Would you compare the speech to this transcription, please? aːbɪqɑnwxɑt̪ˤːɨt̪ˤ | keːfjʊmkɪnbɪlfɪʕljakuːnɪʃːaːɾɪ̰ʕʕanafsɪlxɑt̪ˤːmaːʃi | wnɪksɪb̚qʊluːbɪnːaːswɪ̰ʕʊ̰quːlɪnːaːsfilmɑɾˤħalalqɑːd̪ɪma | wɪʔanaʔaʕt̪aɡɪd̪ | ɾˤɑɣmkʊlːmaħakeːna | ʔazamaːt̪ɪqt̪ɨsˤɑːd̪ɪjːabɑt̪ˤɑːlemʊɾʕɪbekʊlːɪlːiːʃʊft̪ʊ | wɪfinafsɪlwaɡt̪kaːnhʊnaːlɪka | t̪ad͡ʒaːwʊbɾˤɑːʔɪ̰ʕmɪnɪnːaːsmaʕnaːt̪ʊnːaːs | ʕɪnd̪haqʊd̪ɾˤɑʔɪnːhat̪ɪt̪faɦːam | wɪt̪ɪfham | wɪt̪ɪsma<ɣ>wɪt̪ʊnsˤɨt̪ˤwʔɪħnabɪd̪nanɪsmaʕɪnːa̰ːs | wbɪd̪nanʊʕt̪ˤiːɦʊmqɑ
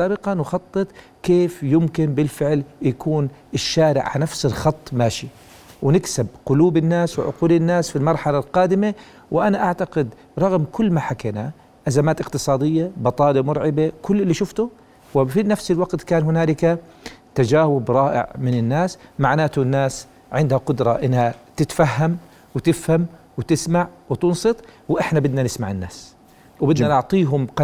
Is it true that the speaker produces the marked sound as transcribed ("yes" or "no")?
no